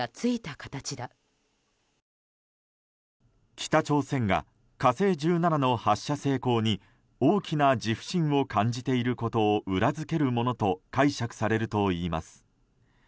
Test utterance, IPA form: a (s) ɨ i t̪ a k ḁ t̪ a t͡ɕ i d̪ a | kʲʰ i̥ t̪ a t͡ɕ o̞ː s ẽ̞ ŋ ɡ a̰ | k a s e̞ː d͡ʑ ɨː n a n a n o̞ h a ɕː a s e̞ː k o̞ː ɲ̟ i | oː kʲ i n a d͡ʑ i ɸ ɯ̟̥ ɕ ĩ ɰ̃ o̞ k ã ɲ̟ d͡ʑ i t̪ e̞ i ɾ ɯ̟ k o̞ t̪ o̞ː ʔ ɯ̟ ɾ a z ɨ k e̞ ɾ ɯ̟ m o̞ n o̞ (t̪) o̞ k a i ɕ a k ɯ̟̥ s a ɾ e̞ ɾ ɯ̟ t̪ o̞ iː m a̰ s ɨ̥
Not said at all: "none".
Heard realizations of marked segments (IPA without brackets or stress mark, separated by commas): t͡s, t̪